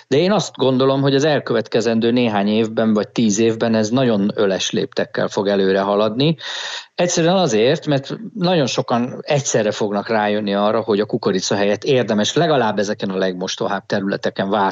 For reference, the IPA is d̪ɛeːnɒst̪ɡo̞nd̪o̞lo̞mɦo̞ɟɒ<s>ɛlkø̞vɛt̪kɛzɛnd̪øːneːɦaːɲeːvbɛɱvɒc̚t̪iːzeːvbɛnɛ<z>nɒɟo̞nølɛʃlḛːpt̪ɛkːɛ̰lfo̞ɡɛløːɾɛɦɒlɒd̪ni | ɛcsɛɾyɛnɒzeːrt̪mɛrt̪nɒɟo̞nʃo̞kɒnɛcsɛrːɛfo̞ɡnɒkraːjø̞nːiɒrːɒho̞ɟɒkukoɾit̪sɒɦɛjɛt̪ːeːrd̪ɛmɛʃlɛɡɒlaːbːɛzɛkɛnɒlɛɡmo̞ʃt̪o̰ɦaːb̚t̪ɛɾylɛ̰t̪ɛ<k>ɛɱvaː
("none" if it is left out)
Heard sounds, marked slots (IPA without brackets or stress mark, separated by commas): z, z, k